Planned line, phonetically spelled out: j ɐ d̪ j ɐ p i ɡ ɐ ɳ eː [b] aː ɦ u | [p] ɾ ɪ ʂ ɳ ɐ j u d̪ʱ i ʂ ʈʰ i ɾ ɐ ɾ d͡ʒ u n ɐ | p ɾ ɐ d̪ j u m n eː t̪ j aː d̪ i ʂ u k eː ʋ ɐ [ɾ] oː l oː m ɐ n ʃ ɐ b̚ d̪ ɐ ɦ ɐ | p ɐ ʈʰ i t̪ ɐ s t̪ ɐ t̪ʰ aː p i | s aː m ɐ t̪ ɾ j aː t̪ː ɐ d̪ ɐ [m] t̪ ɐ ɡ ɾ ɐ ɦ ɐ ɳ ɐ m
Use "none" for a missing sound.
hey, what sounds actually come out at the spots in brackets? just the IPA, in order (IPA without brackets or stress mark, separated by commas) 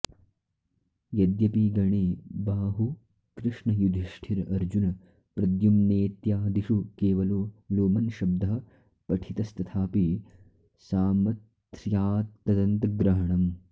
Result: b, k, l, n